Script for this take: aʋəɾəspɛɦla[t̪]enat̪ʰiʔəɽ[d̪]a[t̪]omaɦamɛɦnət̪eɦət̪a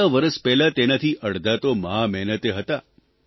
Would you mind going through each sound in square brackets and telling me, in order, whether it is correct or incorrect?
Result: correct, correct, correct

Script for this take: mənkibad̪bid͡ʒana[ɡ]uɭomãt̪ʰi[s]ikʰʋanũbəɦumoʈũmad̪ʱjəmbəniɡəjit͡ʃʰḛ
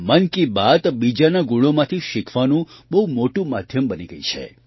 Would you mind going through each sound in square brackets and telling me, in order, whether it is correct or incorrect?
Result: correct, incorrect: ʃ

